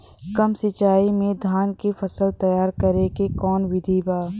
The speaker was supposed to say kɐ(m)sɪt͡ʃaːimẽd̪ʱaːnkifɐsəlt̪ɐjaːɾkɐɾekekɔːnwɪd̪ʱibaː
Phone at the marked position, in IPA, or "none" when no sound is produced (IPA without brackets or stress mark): m